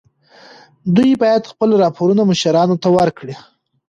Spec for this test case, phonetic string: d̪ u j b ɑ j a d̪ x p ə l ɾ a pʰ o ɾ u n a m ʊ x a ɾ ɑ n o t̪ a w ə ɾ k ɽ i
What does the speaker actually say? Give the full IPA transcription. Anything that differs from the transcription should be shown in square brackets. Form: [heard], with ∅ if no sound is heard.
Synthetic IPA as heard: d̪ u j b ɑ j a d̪ x p ə l ɾ [ɑ] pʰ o ɾ u n a m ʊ [ʃ] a ɾ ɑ n o t̪ a w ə ɾ k ɽ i